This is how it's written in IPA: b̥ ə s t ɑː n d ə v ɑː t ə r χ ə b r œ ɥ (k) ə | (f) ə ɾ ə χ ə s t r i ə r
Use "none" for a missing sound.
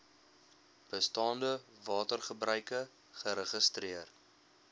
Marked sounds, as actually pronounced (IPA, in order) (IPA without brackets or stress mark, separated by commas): k, χ